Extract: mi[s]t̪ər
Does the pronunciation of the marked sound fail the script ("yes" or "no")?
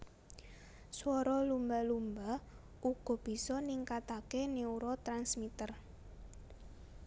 yes